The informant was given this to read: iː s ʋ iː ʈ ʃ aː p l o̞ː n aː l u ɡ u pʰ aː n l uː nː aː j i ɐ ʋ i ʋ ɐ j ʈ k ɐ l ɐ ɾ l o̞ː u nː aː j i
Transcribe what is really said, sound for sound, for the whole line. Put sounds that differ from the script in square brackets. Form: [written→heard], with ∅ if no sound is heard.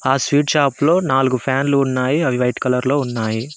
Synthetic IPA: [iː→aː] s ʋ iː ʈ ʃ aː p l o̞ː n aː l u ɡ u pʰ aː n l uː nː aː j i ɐ ʋ i ʋ ɐ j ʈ k ɐ l ɐ ɾ l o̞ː u nː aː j i